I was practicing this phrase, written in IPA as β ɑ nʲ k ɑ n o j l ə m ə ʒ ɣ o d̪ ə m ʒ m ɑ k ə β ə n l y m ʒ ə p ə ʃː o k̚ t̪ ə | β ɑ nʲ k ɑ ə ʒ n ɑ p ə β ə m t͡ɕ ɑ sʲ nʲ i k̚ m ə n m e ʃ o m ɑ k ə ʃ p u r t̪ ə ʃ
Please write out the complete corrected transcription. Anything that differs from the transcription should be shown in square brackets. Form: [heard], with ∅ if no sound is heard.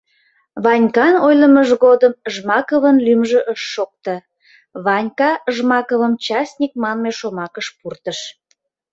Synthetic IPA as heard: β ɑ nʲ k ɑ n o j l ə m ə ʒ ɣ o d̪ ə m ʒ m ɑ k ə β ə n l y m ʒ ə [ʔ] ə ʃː o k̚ t̪ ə | β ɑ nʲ k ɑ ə ʒ [m] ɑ [k] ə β ə m t͡ɕ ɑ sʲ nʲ i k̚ m [ɑ] n m e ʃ o m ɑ k ə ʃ p u r t̪ ə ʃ

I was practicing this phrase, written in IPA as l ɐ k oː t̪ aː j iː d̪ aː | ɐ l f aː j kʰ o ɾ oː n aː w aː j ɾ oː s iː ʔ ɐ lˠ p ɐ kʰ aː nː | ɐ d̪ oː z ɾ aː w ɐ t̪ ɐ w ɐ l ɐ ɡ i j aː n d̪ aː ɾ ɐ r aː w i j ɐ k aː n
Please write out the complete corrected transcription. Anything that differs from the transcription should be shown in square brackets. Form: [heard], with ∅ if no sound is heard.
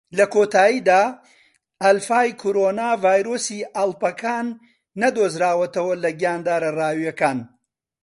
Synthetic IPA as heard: l ɐ k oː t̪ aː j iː d̪ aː | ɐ l f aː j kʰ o ɾ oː n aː [v] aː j ɾ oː s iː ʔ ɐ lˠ p ɐ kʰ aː nː | ɐ d̪ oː z ɾ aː w ɐ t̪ ɐ w ɐ l ɐ ɡ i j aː n d̪ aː ɾ ɐ r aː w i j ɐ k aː n

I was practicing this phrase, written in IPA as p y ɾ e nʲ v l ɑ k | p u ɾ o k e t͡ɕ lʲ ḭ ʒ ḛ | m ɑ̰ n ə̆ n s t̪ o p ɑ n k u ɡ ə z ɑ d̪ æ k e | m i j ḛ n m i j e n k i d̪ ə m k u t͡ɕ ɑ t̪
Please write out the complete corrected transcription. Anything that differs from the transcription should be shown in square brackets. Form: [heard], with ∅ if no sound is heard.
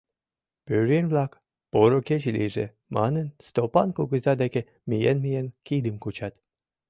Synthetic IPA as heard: p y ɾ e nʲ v l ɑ k | p [o] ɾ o k e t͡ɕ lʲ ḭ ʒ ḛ | m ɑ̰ n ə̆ n s t̪ o p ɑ n k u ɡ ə z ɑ d̪ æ k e | m i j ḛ n m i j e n k i d̪ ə m k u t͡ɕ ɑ t̪

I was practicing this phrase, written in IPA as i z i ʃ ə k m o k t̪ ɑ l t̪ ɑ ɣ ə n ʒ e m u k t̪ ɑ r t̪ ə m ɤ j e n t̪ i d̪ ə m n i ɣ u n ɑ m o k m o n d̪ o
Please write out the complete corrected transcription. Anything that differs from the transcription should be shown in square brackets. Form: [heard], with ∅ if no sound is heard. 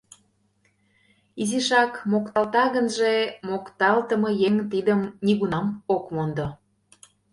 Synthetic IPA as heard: i z i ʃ [ɑ] k m o k t̪ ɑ l t̪ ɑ ɣ ə n ʒ e m [o] k t̪ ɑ [l] t̪ ə m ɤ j e [ŋ] t̪ i d̪ ə m n i ɣ u n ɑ m o k m o n d̪ o

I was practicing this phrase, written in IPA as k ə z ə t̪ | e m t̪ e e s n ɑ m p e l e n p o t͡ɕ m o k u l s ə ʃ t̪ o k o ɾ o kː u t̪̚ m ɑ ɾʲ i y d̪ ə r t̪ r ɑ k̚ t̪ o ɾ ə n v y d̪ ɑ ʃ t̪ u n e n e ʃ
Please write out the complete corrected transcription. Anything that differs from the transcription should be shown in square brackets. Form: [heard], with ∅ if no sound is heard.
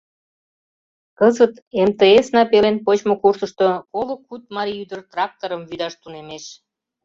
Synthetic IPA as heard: k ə z ə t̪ | e m t̪ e e s n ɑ [∅] p e l e n p o t͡ɕ m o k u [r] s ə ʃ t̪ o k o [l] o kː u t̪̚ m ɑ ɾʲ i y d̪ ə r t̪ r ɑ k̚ t̪ o ɾ ə [m] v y d̪ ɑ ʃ t̪ u n e [m] e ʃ

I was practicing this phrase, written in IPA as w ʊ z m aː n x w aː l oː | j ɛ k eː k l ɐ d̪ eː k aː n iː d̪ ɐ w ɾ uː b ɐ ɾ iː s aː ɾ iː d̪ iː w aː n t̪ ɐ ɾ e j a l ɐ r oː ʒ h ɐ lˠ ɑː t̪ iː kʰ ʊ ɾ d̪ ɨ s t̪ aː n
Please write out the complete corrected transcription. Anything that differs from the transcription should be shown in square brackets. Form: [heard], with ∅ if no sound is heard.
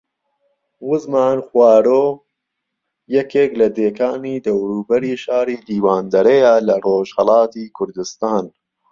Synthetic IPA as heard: w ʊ z m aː n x w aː [ɾ] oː | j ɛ k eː k l ɐ d̪ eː k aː n iː d̪ ɐ w ɾ uː b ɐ ɾ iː [ʃ] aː ɾ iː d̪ iː w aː n [d̪] ɐ ɾ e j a l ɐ r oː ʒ h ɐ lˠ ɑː t̪ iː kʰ ʊ ɾ d̪ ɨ s t̪ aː n

